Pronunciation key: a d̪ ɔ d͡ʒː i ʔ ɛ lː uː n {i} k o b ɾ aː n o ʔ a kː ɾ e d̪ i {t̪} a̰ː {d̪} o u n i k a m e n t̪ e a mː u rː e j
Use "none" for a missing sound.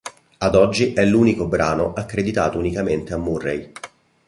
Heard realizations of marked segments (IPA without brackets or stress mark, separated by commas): i, t̪, t̪